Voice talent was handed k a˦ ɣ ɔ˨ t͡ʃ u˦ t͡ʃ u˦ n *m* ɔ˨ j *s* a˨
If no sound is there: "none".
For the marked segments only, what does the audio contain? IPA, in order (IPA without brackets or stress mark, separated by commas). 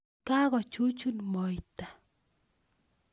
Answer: m, t